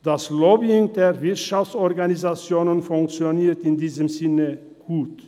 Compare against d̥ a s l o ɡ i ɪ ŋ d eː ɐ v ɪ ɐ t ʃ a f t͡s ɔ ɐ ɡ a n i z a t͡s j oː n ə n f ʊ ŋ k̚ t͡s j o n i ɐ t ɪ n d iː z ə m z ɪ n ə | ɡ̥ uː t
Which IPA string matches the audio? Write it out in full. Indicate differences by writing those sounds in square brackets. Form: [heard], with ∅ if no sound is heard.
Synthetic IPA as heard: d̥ a s l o [b] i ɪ ŋ d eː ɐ v ɪ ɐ t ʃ a f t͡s ɔ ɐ ɡ a n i z a t͡s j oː n ə n f ʊ ŋ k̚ t͡s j o n [iː] ɐ t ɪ n d iː z ə m z ɪ n ə | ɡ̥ uː t